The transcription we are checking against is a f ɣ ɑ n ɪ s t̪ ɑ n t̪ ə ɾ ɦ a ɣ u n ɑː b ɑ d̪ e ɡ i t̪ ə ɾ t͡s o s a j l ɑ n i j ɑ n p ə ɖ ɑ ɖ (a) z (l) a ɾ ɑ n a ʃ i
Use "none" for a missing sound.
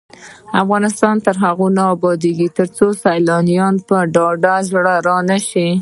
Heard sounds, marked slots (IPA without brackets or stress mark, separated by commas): a, ɽ